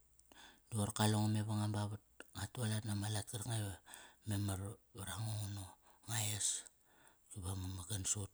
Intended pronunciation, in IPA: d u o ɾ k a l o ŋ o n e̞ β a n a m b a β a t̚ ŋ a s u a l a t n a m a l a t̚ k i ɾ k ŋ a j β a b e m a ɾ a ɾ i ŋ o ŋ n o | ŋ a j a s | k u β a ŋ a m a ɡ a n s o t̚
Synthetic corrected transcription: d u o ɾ k a l o ŋ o m e̞ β a ŋ a m b a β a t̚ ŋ a t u a l a t n a m a l a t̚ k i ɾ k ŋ a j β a m e m a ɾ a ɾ a ŋ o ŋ n o | ŋ a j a s | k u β a m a m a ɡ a n s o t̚